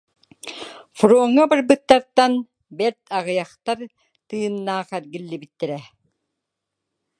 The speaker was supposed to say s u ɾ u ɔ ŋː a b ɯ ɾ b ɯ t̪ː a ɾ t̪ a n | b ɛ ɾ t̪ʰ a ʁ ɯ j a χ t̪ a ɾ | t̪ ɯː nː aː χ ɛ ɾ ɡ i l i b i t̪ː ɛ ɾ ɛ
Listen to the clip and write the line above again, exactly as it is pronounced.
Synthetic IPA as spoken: f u ɾ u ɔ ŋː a b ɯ ɾ b ɯ t̪ː a ɾ t̪ a n | b ɛ ɾ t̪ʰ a ʁ ɯ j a χ t̪ a ɾ | t̪ ɯː nː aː χ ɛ ɾ ɡ i lː i b i t̪ː ɛ ɾ ɛ